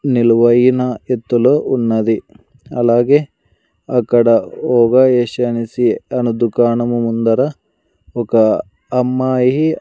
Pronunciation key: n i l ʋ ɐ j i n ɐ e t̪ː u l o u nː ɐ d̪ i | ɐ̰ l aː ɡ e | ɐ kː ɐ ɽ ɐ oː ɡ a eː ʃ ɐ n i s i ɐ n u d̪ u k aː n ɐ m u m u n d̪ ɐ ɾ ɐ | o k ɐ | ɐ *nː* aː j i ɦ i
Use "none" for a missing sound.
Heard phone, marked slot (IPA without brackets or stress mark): mː